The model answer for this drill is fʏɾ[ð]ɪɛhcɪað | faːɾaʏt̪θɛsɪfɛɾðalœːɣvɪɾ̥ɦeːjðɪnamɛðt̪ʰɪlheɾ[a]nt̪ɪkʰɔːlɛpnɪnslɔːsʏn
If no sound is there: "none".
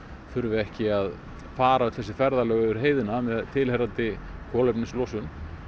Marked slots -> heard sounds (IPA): v, a

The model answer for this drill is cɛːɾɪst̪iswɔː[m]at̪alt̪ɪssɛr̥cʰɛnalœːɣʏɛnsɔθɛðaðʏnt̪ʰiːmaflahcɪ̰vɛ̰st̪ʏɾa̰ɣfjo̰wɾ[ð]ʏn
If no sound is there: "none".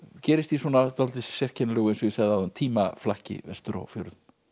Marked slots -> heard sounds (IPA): n, ð

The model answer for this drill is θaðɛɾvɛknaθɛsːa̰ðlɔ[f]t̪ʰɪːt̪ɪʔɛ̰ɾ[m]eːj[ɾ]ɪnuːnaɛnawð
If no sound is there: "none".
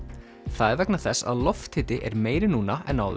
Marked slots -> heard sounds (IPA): f, m, ɾ

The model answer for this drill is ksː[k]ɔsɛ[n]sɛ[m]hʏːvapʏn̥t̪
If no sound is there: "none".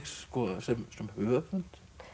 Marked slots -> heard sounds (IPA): k, m, m

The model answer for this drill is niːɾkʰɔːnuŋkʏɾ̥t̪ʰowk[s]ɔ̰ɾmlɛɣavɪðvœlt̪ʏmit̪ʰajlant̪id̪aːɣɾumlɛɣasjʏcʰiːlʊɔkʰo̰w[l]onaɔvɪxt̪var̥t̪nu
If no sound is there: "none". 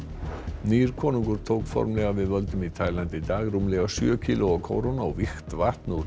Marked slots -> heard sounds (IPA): f, ɾ

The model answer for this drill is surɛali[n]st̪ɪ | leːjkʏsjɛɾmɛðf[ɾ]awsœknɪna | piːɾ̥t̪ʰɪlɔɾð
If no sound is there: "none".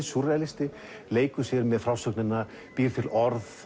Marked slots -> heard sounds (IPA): none, ɾ

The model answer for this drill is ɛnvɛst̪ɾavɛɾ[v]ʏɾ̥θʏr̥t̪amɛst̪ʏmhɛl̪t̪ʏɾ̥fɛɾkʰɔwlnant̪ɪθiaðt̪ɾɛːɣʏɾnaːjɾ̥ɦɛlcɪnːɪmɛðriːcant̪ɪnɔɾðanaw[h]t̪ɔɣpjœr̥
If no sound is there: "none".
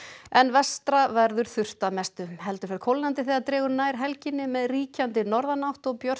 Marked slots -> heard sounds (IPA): ð, h

